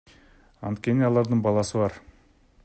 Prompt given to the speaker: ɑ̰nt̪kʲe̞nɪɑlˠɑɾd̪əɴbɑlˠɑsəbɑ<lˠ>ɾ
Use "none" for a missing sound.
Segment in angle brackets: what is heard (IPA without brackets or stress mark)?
none